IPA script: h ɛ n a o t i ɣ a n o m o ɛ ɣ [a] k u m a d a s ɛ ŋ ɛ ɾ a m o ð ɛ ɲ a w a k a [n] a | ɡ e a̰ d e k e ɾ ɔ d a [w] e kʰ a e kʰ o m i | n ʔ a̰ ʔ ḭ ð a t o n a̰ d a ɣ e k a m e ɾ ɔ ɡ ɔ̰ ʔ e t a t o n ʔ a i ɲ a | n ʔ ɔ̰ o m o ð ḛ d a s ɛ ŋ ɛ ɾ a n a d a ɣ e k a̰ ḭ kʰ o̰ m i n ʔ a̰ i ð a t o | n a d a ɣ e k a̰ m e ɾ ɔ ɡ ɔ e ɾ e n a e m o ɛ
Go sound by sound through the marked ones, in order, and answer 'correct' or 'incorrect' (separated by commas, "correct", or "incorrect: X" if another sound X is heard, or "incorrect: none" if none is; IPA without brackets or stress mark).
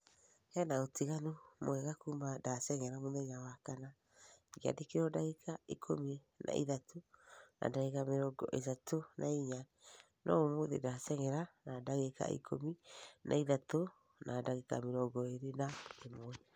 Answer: correct, correct, incorrect: ɣ